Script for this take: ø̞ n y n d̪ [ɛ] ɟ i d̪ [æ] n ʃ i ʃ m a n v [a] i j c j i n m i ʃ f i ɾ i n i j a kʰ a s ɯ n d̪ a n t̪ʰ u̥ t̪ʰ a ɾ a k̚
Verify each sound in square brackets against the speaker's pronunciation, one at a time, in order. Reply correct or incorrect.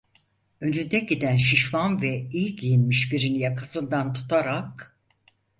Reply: correct, correct, incorrect

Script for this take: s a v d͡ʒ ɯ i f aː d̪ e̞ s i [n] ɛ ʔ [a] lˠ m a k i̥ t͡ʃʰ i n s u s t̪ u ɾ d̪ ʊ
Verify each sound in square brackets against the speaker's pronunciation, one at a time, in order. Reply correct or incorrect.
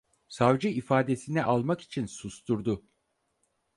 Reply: correct, correct

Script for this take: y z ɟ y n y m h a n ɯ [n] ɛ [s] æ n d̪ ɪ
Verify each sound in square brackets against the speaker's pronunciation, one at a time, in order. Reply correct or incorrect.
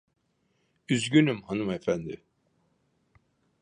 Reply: incorrect, incorrect

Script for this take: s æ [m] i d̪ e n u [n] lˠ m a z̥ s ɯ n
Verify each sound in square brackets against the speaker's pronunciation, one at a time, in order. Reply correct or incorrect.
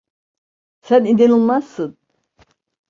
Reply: incorrect, incorrect

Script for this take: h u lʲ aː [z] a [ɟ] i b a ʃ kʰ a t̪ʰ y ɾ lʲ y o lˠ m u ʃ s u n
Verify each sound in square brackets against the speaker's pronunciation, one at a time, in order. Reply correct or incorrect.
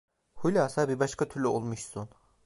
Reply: incorrect, incorrect

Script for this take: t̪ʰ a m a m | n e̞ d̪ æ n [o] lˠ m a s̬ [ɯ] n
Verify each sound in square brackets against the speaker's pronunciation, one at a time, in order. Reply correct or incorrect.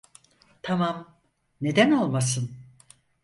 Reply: correct, correct

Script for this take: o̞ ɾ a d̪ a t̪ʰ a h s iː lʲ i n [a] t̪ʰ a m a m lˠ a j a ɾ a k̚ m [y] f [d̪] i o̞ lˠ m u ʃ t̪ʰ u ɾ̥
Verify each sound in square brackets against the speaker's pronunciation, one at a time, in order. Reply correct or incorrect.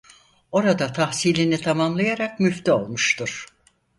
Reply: incorrect, correct, incorrect

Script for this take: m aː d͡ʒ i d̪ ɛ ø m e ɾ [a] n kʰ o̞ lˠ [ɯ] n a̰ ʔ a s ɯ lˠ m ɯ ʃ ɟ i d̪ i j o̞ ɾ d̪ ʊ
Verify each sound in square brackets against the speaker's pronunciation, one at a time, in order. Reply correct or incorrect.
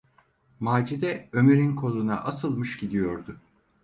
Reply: incorrect, incorrect

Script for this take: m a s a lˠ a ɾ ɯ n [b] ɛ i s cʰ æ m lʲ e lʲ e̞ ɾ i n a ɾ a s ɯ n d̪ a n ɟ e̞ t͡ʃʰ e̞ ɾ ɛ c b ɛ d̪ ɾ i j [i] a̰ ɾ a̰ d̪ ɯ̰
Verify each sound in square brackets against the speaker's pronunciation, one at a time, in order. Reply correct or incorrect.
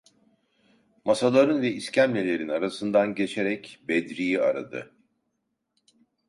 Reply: incorrect, correct

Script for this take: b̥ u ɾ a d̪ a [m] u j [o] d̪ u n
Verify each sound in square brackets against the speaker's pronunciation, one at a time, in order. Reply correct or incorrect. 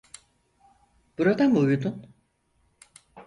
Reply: correct, incorrect

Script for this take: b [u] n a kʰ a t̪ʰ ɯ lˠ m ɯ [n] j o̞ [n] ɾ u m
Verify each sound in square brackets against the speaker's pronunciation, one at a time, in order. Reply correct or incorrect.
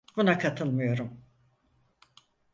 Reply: correct, incorrect, incorrect

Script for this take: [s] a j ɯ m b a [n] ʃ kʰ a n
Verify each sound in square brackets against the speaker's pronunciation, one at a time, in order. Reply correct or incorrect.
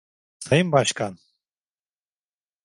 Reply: correct, incorrect

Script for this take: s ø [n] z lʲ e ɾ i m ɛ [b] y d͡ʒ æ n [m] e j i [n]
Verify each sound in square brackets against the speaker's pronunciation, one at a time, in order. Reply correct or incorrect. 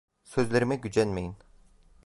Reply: incorrect, incorrect, correct, correct

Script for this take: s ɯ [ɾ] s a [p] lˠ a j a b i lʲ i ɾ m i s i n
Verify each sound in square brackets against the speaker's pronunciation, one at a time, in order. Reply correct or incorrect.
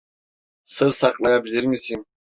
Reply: correct, incorrect

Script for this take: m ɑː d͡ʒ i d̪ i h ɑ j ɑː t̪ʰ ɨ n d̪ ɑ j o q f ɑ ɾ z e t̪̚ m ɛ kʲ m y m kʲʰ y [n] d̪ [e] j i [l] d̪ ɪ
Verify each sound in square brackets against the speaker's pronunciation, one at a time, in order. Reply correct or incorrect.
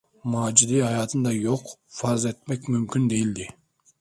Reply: correct, correct, correct

